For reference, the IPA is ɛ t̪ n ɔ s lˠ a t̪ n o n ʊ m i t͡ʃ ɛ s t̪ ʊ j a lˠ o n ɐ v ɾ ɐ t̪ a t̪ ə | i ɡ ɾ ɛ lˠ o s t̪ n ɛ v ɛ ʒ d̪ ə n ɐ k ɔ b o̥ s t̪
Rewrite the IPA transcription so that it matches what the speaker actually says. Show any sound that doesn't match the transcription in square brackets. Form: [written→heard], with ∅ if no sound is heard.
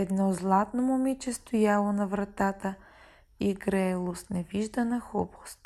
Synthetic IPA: ɛ [t̪→d̪] n ɔ [s→z] lˠ a t̪ n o [n→m] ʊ m i t͡ʃ ɛ s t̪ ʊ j a lˠ o n ɐ v ɾ ɐ t̪ a t̪ ə | i ɡ ɾ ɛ lˠ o s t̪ n ɛ v [ɛ→i] ʒ d̪ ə n ɐ [k→x] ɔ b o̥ s t̪